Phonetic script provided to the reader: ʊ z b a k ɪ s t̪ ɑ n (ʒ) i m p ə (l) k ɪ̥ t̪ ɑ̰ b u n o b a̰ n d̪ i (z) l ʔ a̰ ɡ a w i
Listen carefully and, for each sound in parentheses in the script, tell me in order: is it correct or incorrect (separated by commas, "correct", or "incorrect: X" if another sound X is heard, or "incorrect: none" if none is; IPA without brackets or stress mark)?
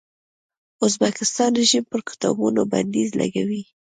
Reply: correct, incorrect: ɾ, correct